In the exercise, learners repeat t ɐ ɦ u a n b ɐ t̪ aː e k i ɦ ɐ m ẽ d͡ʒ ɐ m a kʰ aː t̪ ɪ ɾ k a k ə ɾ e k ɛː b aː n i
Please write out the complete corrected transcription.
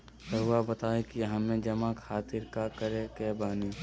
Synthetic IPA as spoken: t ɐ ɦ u a b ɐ t̪ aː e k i ɦ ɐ m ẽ d͡ʒ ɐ m a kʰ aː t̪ ɪ ɾ k a k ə ɾ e k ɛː b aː n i